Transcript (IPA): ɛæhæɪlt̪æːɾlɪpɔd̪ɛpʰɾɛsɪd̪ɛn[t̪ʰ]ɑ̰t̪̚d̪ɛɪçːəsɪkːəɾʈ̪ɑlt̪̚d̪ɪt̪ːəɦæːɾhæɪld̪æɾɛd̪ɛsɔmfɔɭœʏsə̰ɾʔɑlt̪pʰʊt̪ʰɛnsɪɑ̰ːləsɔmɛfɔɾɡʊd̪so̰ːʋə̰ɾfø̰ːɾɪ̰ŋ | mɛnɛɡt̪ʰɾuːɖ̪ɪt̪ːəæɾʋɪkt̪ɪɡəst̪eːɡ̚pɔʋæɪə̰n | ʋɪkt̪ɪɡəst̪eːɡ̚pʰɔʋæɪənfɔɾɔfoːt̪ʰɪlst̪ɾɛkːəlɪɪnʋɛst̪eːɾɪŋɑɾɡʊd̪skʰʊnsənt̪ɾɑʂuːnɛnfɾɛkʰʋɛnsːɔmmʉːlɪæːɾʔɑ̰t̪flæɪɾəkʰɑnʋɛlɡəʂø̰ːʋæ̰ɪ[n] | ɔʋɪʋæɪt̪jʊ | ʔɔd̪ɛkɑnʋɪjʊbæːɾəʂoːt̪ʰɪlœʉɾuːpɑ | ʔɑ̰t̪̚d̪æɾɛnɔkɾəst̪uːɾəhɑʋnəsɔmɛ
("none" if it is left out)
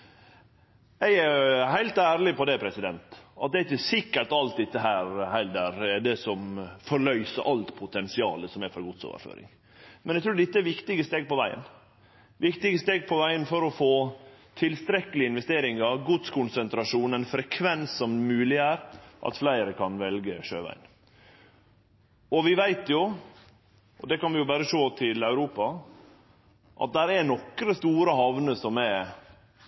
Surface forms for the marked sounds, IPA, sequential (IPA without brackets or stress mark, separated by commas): t̪, n